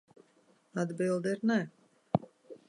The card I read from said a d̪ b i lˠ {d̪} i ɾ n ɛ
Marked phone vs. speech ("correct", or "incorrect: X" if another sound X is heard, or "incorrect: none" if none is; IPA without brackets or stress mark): correct